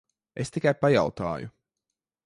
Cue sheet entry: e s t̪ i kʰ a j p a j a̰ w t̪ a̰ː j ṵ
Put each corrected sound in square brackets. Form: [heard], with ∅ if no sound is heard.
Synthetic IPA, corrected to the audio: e s t̪ i [k] a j p a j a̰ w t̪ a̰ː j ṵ